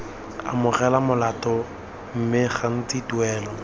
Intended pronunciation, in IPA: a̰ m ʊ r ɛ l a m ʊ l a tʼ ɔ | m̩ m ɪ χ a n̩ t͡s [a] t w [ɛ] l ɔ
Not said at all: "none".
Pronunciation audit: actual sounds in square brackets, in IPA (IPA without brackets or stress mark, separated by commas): i, ɛː